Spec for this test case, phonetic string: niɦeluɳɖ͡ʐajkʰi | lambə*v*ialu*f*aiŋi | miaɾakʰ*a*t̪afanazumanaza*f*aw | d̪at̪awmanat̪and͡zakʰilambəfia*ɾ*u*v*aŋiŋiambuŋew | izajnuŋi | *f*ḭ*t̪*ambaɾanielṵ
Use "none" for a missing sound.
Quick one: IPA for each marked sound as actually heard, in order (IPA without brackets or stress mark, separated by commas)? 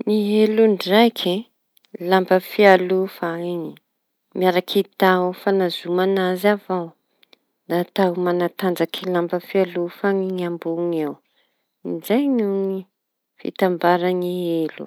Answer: f, f, i, v, l, f, f, t̪